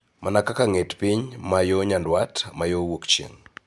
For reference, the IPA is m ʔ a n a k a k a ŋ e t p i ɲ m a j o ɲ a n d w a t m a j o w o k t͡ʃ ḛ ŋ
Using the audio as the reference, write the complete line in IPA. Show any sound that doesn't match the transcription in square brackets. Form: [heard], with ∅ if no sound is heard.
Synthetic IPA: m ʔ a n a k a k a ŋ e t p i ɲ m a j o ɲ a n d w a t m a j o w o k t͡ʃ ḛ ŋ